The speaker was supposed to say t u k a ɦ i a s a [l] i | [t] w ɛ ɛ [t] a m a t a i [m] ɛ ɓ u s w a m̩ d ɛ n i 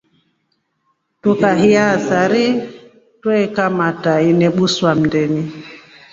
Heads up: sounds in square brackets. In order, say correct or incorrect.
incorrect, correct, incorrect, incorrect

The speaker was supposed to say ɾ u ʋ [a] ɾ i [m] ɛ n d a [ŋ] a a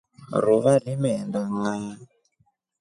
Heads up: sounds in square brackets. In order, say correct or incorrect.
correct, correct, correct

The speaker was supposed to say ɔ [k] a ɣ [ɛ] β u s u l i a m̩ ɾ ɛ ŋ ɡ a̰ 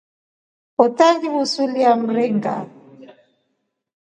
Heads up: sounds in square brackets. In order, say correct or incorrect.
incorrect, incorrect

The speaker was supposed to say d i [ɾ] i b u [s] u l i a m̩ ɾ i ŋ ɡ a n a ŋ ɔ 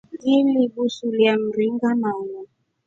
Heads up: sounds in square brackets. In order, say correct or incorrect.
incorrect, correct

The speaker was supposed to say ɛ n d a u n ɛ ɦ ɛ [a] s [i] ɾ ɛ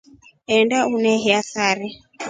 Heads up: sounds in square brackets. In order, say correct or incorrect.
correct, incorrect

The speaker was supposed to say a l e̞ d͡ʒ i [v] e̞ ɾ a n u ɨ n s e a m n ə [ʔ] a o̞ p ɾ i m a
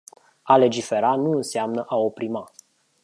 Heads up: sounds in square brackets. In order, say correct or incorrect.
incorrect, correct

